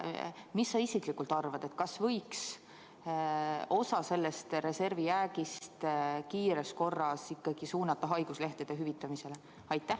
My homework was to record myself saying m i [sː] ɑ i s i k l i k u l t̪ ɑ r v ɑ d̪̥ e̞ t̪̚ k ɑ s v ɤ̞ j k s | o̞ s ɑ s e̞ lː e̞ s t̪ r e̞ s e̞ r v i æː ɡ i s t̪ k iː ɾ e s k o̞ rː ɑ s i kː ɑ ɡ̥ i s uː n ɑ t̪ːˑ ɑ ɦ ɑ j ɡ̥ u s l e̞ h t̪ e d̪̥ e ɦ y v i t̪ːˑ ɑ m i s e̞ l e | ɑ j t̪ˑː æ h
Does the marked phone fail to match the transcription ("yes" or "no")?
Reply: no